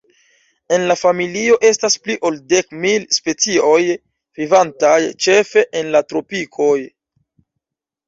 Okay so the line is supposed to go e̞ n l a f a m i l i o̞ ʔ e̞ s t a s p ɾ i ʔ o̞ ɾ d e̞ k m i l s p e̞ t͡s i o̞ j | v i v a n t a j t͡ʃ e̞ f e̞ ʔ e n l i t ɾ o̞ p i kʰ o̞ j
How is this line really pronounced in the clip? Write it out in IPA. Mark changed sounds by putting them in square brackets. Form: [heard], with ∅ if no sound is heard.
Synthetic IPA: e̞ n l a f a m i l i o̞ ʔ e̞ s t a s p [l] i ʔ o̞ [l] d e̞ k m i l s p e̞ t͡s i o̞ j | v i v a n t a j t͡ʃ e̞ f e̞ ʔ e n l [a] t ɾ o̞ p i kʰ o̞ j

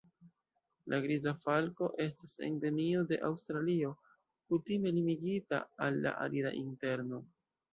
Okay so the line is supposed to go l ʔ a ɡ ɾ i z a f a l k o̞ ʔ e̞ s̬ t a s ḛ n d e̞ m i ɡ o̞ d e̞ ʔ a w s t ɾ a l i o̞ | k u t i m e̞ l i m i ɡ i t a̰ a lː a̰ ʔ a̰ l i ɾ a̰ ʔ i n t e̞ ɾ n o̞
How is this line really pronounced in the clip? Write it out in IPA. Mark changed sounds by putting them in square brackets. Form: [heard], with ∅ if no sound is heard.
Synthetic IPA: l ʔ a ɡ ɾ i z a f a l k o̞ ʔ e̞ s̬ t a s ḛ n d e̞ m i [∅] o̞ d e̞ ʔ a w s t ɾ a l i o̞ | k u t i m e̞ l i m i ɡ i t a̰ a lː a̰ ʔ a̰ l i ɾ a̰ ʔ i n t e̞ ɾ n o̞

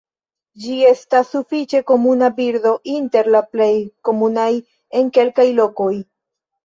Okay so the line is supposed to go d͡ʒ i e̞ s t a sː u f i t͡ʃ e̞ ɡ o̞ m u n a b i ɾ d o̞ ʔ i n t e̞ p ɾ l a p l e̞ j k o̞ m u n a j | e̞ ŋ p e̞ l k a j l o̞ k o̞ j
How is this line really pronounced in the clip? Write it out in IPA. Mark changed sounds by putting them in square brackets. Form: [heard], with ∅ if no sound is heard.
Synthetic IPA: d͡ʒ i e̞ s t a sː u f i t͡ʃ e̞ [k] o̞ m u n a b i ɾ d o̞ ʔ i n t e̞ [∅] ɾ l a p l e̞ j k o̞ m u n a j | e̞ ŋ [k] e̞ l k a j l o̞ k o̞ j

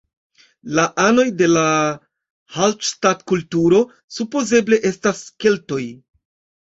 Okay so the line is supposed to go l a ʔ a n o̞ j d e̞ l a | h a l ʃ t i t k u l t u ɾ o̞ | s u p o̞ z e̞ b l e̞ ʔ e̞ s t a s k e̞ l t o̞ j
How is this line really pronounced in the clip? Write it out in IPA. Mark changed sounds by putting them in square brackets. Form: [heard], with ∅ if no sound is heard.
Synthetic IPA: l a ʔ a n o̞ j d e̞ l a | h a l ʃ t [a] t k u l t u ɾ o̞ | s u p o̞ z e̞ b l e̞ ʔ e̞ s t a s k e̞ l t o̞ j

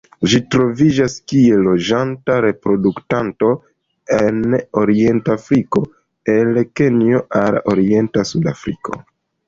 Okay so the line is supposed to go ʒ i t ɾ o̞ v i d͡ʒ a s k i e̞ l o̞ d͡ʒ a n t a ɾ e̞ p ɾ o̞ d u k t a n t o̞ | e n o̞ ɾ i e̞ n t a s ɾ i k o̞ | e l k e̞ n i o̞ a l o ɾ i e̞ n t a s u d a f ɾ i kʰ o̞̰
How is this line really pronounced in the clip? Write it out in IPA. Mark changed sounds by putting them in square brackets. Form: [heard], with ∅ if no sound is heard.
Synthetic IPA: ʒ i t ɾ o̞ v i d͡ʒ a s k i e̞ l o̞ d͡ʒ a n t a ɾ e̞ p ɾ o̞ d u k t a n t o̞ | e n o̞ ɾ i e̞ n t a [f] ɾ i k o̞ | e l k e̞ n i o̞ a l o ɾ i e̞ n t a s u d a f ɾ i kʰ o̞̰

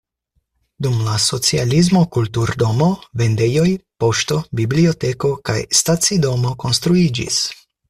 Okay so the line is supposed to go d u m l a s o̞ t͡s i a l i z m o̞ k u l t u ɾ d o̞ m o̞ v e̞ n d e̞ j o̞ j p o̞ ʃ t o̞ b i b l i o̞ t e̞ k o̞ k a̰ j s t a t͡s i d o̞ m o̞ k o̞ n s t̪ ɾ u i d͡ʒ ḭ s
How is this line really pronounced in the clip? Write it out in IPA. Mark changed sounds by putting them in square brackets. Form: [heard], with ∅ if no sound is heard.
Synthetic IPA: d u m l a s o̞ t͡s i a l i z m o̞ k u l t u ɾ d o̞ m o̞ v e̞ n d e̞ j o̞ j p o̞ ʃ t o̞ b i b l i o̞ t e̞ k o̞ k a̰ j s t a t͡s i d o̞ m o̞ k o̞ n s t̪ ɾ u i d͡ʒ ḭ s

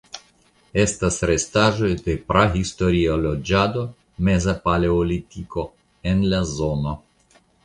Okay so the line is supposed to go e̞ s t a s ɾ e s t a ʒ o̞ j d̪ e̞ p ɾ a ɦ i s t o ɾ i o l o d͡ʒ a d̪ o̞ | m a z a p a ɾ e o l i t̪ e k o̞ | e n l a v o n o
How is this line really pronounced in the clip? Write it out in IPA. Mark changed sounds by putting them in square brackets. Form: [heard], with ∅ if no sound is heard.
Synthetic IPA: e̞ s t a s ɾ e s t a ʒ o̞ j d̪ e̞ p ɾ a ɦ i s t o ɾ i o l o d͡ʒ a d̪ o̞ | m [e] z a p a [l] e o l i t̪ [i] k o̞ | e n l a [z] o n o

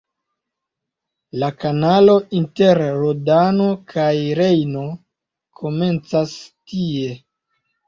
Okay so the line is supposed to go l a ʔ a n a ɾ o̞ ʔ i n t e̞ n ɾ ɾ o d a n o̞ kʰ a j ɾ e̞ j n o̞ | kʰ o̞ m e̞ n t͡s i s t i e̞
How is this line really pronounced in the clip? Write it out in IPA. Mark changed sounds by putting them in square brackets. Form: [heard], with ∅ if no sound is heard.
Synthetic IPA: l a [k] a n a [l] o̞ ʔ i n t e̞ [∅] ɾ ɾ o d a n o̞ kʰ a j ɾ e̞ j n o̞ | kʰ o̞ m e̞ n t͡s [a] s t i e̞

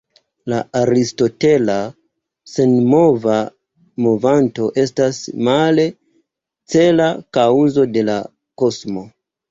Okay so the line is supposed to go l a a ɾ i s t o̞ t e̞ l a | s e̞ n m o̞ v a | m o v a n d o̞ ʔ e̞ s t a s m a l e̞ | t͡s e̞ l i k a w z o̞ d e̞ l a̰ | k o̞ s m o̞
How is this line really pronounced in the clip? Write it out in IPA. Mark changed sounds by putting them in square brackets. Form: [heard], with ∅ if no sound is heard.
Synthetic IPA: l a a ɾ i s t o̞ t e̞ l a | s e̞ n m o̞ v a | m o v a n [t] o̞ ʔ e̞ s t a s m a l e̞ | t͡s e̞ l [a] k a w z o̞ d e̞ l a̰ | k o̞ s m o̞

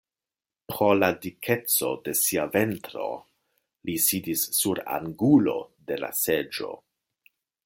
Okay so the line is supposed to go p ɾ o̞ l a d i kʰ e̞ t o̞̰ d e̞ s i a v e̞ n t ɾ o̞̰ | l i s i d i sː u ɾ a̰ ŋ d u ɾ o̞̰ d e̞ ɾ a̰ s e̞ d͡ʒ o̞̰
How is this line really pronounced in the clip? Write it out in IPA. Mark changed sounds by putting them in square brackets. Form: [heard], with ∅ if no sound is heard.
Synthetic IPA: p ɾ o̞ l a d i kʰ e̞ [t͡s] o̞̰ d e̞ s i a v e̞ n t ɾ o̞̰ | l i s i d i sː u ɾ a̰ ŋ [ɡ] u [l] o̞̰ d e̞ [l] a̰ s e̞ d͡ʒ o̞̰

